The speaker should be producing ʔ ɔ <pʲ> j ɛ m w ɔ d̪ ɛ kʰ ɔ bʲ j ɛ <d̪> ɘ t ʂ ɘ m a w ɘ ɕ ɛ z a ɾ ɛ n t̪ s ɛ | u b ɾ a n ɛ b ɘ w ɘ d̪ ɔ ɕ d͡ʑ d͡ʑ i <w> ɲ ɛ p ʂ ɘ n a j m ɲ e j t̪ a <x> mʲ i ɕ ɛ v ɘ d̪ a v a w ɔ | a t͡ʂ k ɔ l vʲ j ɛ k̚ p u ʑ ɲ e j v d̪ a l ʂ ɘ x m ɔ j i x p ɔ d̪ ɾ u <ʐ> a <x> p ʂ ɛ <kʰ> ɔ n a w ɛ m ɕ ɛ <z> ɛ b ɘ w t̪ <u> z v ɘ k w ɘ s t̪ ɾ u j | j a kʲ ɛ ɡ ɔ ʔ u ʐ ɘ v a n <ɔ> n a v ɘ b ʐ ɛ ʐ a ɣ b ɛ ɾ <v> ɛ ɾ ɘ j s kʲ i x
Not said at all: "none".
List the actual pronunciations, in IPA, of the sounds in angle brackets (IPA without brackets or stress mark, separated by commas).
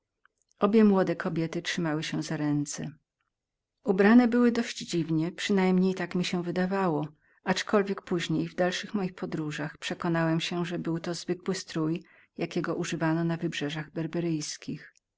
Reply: bʲ, t̪, v, k, ʐ, x, k, ʐ, ɔ, ɔ, b